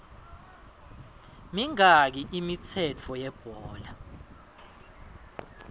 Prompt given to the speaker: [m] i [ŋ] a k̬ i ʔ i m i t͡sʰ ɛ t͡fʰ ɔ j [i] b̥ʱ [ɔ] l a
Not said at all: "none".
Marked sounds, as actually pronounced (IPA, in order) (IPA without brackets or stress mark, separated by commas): m, ŋ, ɛ, ɔː